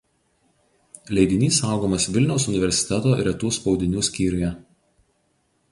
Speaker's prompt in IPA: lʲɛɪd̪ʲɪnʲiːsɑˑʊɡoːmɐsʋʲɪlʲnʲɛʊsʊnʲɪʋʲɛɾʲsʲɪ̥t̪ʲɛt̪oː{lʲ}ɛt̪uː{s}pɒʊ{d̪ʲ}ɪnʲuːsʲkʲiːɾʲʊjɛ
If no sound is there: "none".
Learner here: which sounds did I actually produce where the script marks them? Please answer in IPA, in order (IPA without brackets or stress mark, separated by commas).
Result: ɾʲ, s, d̪ʲ